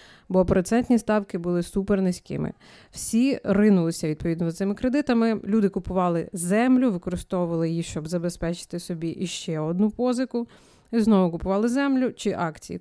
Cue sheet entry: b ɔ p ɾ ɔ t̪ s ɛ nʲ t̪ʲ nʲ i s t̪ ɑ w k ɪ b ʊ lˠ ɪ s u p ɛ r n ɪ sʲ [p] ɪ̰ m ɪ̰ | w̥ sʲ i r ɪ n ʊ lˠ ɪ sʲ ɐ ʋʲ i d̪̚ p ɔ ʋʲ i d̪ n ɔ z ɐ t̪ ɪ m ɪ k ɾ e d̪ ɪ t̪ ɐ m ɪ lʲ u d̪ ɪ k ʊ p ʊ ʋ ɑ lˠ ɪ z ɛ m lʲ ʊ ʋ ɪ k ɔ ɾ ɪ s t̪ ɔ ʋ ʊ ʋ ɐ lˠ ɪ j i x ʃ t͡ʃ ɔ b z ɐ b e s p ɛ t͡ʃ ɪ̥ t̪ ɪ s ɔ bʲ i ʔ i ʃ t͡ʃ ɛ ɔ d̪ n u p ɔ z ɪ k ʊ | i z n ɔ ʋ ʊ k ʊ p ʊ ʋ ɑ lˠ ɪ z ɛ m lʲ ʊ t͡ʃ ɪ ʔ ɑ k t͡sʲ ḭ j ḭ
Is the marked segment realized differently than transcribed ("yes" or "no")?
yes